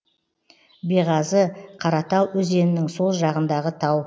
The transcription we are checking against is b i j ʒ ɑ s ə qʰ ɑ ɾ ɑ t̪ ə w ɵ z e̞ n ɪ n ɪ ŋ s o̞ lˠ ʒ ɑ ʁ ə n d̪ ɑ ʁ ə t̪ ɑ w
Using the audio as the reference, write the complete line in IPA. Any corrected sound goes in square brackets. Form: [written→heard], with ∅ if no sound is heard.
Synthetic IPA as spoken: b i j [ʒ→ʁ] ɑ [s→z] ə qʰ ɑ ɾ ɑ t̪ [ə→ɑ] w ɵ z e̞ n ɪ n ɪ ŋ s o̞ lˠ ʒ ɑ ʁ ə n d̪ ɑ ʁ ə [t̪→t̪ʰ] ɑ w

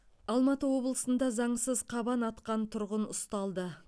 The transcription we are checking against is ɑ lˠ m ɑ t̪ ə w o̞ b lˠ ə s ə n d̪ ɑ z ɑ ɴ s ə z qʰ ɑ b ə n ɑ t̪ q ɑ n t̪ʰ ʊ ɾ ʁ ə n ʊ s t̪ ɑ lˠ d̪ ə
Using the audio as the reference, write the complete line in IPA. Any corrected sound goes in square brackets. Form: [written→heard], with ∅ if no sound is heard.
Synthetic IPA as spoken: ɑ lˠ m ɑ t̪ ə w o̞ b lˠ ə s ə n d̪ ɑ z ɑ ɴ s ə z qʰ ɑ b [ə→ɑ] n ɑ t̪ q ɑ n t̪ʰ ʊ ɾ ʁ ə n ʊ s t̪ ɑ lˠ d̪ ə

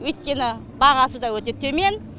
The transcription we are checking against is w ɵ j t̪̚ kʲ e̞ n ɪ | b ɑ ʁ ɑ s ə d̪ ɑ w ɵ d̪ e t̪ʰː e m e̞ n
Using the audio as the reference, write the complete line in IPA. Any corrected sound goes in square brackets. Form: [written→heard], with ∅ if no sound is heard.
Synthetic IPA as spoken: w ɵ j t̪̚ kʲ e̞ n ɪ | b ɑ ʁ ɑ s ə d̪ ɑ w ɵ [d̪→t̪] e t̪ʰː e m e̞ n

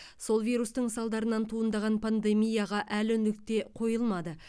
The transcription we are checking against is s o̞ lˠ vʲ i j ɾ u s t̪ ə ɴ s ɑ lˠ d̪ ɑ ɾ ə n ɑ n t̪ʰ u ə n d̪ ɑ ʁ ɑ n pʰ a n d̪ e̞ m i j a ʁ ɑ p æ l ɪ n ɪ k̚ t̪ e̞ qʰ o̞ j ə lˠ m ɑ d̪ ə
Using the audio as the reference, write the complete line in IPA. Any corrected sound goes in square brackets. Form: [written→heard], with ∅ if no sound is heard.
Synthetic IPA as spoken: s o̞ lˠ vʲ i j ɾ u s t̪ ə ɴ s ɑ lˠ d̪ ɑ ɾ ə n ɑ n t̪ʰ u ə n d̪ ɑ ʁ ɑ n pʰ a n d̪ e̞ m i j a ʁ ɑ [p→ʔ] æ l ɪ n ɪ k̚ t̪ e̞ qʰ o̞ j ə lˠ m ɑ d̪ ə

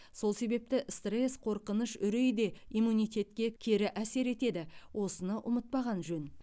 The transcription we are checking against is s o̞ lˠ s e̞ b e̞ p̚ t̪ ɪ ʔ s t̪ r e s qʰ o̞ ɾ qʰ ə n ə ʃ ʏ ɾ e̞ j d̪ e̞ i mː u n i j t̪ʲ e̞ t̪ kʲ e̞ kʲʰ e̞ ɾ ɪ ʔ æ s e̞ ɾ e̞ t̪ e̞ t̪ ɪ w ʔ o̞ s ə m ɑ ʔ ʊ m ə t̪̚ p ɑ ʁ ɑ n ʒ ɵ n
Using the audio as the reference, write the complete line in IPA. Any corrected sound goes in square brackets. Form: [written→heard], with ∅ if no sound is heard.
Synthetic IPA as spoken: s o̞ lˠ s e̞ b e̞ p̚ t̪ ɪ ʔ s t̪ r e s qʰ o̞ ɾ [qʰ→q] ə n ə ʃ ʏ ɾ e̞ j d̪ e̞ i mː u n i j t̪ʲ e̞ t̪ kʲ e̞ kʲʰ e̞ ɾ ɪ ʔ æ s e̞ ɾ e̞ t̪ e̞ [t̪→d̪] ɪ w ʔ o̞ s ə [m→n] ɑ ʔ ʊ m ə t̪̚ p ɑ ʁ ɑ n ʒ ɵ n

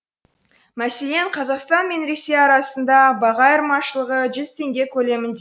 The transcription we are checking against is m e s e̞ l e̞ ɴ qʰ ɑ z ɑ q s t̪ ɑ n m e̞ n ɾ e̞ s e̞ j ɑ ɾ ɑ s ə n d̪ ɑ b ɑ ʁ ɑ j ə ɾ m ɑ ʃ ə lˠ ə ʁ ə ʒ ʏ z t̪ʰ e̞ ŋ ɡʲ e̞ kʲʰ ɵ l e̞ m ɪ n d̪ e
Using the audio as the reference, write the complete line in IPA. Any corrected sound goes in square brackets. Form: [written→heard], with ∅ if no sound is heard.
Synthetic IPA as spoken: m [e→æ] s e̞ l e̞ ɴ qʰ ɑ z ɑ q s t̪ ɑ n m e̞ n ɾ e̞ s e̞ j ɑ ɾ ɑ s ə n d̪ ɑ b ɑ ʁ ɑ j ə ɾ m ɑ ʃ ə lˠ ə ʁ ə ʒ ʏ z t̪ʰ e̞ ŋ ɡʲ e̞ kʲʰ ɵ l e̞ m ɪ n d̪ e

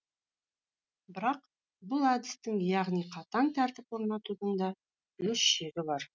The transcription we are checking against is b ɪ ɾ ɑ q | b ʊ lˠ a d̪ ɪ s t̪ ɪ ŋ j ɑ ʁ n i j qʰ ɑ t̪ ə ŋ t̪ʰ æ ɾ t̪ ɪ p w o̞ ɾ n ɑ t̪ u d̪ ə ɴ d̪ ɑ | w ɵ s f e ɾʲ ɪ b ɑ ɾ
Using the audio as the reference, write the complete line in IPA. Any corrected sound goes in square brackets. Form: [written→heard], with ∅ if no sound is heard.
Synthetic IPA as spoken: b ɪ ɾ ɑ q | b ʊ lˠ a d̪ ɪ s t̪ ɪ ŋ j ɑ ʁ n i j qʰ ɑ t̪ [ə→ɑ] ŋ t̪ʰ æ ɾ t̪ ɪ p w o̞ ɾ n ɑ t̪ u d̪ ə ɴ d̪ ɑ | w ɵ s [f→ʃ] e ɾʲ ɪ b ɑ ɾ

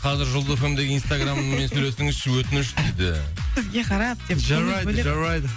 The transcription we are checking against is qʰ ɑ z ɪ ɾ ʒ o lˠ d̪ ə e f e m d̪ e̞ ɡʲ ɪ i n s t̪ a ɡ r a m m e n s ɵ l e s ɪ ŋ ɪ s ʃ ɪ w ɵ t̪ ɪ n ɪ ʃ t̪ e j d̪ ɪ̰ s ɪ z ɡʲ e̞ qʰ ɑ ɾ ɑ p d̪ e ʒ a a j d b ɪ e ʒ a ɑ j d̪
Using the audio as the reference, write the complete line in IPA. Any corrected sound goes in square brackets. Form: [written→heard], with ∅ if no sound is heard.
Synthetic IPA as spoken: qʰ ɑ z ɪ ɾ ʒ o lˠ d̪ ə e f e m d̪ e̞ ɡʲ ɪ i n s t̪ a ɡ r a m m e n s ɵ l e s ɪ ŋ ɪ [s→z] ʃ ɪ w ɵ t̪ ɪ n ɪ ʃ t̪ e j d̪ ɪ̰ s ɪ z ɡʲ e̞ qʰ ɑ ɾ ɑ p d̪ e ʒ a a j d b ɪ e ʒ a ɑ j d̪

